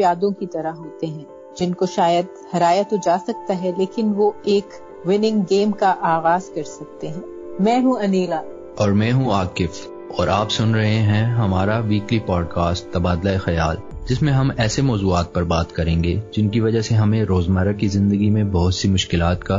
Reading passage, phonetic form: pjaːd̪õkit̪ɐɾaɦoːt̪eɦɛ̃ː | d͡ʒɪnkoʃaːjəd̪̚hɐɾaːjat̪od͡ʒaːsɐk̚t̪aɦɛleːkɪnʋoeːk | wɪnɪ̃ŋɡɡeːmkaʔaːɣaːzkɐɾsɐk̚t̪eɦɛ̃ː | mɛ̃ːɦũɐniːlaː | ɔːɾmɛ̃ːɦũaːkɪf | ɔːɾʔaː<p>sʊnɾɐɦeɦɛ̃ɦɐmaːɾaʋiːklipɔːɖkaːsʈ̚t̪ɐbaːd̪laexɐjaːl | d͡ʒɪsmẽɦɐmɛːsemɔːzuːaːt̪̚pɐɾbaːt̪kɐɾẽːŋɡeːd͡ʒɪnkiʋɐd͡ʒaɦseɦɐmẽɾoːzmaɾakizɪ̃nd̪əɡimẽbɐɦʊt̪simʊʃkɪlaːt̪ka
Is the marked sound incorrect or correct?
correct